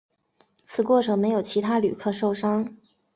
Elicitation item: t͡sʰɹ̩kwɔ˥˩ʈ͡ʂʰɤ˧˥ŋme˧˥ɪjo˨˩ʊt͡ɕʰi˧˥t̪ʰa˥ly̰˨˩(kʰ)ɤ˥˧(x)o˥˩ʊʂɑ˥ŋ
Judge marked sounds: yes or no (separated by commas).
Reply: yes, no